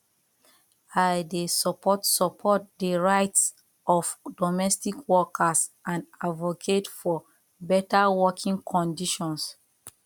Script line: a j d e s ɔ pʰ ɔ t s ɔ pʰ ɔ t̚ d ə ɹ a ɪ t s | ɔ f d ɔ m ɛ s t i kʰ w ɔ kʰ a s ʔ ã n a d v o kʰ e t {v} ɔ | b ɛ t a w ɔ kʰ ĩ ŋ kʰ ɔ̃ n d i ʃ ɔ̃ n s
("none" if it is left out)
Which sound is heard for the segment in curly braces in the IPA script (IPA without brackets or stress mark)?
f